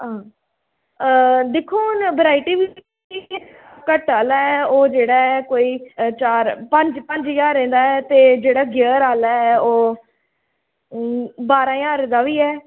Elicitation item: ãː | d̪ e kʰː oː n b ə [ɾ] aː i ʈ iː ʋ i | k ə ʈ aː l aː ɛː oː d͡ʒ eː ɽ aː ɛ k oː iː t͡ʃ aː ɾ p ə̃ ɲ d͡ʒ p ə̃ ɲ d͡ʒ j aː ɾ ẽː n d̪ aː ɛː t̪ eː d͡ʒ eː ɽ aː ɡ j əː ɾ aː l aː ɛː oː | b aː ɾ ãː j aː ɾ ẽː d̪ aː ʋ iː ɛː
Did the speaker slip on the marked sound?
no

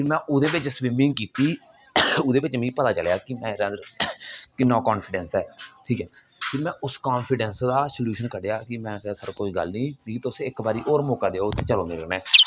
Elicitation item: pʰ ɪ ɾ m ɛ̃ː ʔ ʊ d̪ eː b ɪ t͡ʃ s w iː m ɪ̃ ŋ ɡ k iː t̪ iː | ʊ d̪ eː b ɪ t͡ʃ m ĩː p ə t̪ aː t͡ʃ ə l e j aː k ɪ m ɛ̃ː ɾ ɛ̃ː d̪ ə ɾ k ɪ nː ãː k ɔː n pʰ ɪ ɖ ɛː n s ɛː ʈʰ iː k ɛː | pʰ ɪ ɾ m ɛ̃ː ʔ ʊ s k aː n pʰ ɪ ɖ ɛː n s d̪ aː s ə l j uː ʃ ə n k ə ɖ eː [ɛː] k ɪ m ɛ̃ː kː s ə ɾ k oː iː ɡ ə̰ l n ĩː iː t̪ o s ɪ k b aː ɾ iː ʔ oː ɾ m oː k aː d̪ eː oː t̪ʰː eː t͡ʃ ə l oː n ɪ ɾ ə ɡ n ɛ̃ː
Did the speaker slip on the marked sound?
yes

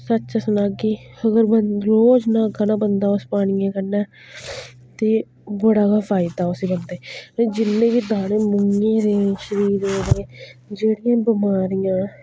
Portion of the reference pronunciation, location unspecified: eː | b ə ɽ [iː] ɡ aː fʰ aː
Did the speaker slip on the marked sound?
yes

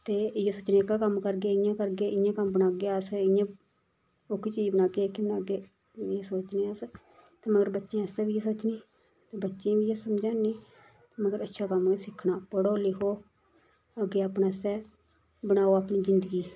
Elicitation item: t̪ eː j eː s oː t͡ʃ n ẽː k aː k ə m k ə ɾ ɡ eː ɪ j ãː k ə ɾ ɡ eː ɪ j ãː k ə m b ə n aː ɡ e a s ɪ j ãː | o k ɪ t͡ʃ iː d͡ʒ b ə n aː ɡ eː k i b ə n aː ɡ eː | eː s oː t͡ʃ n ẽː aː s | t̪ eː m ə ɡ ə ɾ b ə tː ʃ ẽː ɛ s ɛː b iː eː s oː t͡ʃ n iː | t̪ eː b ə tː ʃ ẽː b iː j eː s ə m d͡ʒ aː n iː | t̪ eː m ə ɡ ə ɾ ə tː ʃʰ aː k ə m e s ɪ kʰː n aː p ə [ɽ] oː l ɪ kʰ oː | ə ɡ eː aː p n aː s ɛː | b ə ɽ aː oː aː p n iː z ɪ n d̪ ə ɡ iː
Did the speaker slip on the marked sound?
no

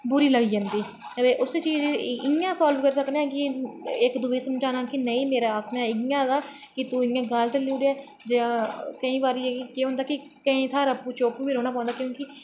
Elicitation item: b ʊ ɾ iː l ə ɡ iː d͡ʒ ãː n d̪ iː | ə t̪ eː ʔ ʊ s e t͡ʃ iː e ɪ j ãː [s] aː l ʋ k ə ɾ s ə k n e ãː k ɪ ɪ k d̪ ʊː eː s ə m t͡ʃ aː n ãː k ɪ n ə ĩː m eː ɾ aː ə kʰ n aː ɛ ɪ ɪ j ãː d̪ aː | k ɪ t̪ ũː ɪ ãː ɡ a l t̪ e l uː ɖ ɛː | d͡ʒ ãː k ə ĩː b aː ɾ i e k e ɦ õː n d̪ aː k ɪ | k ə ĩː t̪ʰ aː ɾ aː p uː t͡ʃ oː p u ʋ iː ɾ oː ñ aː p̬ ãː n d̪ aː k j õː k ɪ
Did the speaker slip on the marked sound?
no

